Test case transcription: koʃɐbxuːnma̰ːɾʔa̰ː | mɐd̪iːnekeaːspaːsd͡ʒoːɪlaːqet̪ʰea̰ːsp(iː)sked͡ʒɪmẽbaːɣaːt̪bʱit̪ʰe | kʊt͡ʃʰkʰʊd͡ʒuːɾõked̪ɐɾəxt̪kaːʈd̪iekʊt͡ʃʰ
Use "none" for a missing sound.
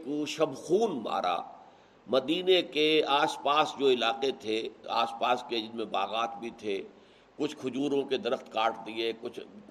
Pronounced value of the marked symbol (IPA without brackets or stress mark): aː